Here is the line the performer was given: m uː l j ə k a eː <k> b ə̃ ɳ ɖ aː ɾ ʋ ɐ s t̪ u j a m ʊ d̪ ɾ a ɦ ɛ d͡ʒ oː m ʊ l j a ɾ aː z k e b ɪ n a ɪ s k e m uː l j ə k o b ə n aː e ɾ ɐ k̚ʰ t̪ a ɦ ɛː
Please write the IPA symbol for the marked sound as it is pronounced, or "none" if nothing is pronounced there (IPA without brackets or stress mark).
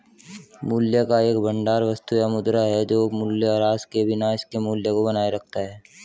k